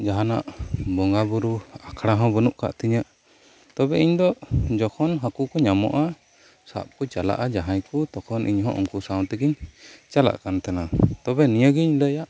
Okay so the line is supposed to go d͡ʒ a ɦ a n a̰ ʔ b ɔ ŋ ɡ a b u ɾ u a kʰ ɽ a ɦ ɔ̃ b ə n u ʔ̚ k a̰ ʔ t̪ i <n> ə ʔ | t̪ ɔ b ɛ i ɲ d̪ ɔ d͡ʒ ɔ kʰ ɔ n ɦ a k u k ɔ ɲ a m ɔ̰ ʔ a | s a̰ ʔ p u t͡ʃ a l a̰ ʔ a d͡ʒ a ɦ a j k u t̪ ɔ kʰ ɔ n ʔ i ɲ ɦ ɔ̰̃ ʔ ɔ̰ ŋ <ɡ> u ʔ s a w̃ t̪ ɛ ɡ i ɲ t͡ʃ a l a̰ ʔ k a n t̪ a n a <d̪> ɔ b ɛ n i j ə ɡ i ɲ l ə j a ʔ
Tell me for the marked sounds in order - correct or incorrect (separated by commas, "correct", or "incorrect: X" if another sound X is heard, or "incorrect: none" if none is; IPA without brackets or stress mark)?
incorrect: ɲ, incorrect: k, incorrect: t̪